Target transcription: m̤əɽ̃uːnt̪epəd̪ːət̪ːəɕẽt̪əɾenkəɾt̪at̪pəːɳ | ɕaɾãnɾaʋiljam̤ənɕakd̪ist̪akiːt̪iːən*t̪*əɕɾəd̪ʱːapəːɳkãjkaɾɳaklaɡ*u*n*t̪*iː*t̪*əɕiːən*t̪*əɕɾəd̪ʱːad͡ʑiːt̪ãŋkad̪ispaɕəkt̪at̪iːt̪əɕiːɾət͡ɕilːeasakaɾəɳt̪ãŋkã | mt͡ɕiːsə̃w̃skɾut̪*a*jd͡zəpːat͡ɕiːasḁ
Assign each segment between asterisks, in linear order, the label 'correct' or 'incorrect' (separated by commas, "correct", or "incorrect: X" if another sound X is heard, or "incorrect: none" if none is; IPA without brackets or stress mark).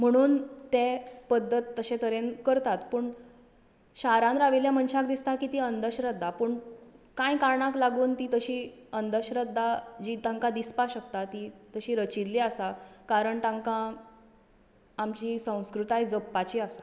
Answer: incorrect: d̪, incorrect: uː, correct, correct, incorrect: d̪, correct